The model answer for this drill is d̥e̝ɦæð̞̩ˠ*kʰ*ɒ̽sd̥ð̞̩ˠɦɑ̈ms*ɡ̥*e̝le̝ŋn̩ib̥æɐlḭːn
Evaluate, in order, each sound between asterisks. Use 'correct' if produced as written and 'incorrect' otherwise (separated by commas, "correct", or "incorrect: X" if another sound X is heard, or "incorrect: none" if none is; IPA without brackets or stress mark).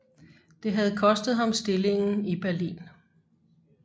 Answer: correct, incorrect: d̥